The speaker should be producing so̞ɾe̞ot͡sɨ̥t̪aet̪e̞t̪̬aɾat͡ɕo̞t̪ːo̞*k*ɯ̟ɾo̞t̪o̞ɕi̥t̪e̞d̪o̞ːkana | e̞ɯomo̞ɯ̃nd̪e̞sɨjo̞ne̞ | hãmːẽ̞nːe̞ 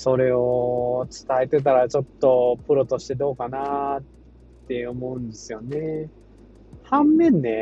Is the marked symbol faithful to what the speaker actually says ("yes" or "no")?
no